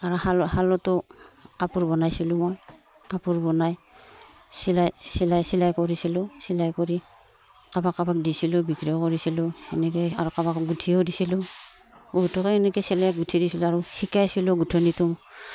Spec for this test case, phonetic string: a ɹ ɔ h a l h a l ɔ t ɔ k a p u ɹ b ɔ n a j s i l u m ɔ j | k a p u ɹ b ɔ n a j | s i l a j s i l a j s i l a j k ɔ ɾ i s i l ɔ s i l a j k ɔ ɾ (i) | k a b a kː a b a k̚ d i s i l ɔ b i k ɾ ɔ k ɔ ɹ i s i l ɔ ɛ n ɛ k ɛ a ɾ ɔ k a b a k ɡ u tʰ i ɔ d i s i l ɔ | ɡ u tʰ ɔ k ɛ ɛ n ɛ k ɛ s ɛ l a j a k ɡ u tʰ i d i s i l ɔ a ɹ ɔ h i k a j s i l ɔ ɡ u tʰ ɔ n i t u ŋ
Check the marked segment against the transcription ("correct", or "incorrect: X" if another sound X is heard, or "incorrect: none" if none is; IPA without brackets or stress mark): correct